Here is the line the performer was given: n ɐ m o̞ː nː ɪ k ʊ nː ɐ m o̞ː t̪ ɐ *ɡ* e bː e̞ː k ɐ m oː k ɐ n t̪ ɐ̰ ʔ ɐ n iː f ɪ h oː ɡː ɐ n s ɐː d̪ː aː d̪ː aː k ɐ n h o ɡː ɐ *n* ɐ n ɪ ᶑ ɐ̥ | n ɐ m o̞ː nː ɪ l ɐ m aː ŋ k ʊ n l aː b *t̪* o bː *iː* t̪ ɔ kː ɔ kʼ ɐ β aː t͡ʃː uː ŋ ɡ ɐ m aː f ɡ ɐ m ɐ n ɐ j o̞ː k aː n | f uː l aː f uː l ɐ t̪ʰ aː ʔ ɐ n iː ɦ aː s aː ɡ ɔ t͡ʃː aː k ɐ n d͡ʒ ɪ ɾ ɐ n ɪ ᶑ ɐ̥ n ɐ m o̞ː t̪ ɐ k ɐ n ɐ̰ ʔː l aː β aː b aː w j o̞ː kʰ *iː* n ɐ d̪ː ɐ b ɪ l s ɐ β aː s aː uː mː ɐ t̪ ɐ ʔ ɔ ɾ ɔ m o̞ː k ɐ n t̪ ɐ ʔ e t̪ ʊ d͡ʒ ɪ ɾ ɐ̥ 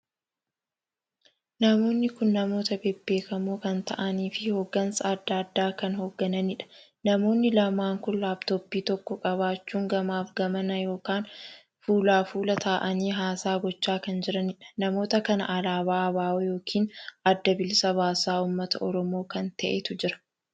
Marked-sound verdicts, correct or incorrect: incorrect: b, correct, correct, correct, correct

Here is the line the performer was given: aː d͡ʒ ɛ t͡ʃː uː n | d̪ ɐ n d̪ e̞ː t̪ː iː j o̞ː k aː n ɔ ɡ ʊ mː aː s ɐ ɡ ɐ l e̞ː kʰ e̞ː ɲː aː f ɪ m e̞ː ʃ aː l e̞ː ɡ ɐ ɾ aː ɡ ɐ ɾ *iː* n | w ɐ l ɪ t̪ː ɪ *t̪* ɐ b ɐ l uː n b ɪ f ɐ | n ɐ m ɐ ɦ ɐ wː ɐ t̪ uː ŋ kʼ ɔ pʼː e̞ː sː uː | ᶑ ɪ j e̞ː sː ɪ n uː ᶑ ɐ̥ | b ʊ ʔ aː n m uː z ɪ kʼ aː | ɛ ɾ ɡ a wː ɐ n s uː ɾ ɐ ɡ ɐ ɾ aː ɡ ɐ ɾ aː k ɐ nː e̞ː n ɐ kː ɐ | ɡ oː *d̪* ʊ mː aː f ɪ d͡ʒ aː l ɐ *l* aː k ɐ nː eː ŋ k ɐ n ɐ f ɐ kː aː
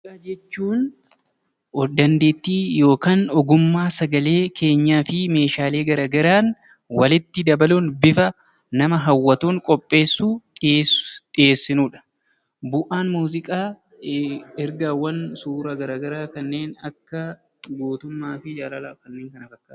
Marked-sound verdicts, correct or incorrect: incorrect: aː, incorrect: d̪, incorrect: t̪, correct

